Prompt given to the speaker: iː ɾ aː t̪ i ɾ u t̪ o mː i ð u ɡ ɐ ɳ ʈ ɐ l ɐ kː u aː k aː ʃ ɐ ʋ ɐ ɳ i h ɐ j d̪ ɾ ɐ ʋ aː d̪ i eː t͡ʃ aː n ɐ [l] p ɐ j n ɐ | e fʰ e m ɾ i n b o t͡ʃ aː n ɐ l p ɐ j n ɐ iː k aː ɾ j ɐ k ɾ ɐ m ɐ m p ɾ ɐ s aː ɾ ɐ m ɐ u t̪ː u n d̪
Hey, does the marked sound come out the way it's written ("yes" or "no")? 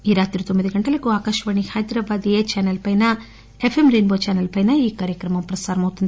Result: yes